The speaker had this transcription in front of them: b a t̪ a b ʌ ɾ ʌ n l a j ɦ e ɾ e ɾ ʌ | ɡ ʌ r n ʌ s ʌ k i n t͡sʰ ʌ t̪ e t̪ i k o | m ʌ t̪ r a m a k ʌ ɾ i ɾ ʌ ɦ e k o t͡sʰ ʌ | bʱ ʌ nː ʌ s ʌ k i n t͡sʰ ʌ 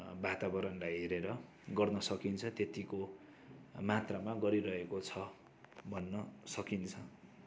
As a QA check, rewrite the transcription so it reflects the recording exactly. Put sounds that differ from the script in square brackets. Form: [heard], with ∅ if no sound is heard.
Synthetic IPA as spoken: b a t̪ a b ʌ ɾ ʌ n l a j ɦ e ɾ e ɾ ʌ | ɡ ʌ r n ʌ s ʌ k i n t͡sʰ ʌ t̪ e t̪ i k o | m [a] t̪ r a m a [ɡ] ʌ ɾ i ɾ ʌ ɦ e k o t͡sʰ ʌ | bʱ ʌ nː ʌ s ʌ k i n t͡sʰ ʌ

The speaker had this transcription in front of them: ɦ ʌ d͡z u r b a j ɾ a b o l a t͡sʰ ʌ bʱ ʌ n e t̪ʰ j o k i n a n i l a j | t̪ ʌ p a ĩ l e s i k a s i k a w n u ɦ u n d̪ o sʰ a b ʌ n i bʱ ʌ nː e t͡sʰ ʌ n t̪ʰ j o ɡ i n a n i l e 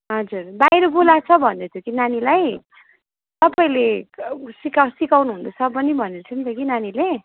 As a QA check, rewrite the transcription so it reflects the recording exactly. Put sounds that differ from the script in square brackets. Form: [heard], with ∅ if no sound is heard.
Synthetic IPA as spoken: ɦ ʌ d͡z u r b a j ɾ [ʌ] b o l a t͡sʰ ʌ bʱ ʌ n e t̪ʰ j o k i n a n i l a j | t̪ ʌ p a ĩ l e s i k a s i k a w n u ɦ u n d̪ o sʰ [ʌ] b ʌ n i bʱ ʌ [n] e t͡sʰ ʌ n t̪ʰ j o [k] i n a n i l e

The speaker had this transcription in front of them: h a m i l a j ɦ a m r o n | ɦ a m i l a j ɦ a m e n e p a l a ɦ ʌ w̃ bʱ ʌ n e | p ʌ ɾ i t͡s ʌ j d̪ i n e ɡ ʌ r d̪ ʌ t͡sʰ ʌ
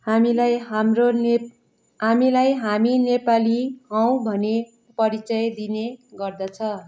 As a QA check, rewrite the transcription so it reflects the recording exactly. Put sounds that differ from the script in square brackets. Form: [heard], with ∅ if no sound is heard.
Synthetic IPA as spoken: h a m i l a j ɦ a m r o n | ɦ a m i l a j ɦ a m [i] n e p a l [i] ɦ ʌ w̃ bʱ ʌ n e | p ʌ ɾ i t͡s ʌ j d̪ i n e ɡ ʌ r d̪ ʌ t͡sʰ ʌ

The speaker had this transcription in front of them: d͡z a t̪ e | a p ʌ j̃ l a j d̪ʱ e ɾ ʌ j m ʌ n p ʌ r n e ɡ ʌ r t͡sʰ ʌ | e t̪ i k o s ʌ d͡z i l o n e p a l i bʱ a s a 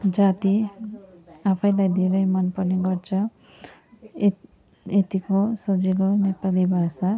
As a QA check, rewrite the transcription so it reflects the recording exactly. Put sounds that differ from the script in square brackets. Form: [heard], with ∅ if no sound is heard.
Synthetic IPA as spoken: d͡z a t̪ [i] | a [pʰ] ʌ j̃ l a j d̪ʱ e ɾ ʌ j m ʌ n p ʌ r n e ɡ ʌ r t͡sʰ ʌ | e t̪ i k o s ʌ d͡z i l o n e p a l i bʱ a s a

